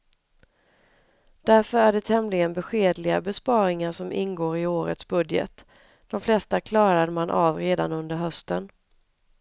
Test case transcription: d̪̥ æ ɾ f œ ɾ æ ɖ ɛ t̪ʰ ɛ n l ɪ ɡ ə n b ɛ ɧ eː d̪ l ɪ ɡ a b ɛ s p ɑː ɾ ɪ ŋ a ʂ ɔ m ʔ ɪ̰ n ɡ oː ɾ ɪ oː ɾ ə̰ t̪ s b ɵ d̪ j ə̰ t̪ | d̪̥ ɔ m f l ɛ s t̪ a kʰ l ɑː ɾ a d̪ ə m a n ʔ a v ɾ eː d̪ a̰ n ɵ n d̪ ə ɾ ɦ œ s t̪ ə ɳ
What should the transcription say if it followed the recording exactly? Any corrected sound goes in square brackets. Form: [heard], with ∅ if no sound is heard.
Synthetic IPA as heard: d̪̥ æ ɾ f œ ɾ æ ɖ ɛ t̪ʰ ɛ [m] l ɪ ɡ ə n b ɛ ɧ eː d̪ l ɪ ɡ a b ɛ s p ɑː ɾ ɪ ŋ a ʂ ɔ m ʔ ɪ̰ n ɡ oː ɾ ɪ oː ɾ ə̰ t̪ s b ɵ d̪ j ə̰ t̪ | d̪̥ ɔ m f l ɛ s t̪ a kʰ l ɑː ɾ a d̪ ə m a n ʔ a v ɾ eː d̪ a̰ n ɵ n d̪ ə ɾ ɦ œ s t̪ ə [n]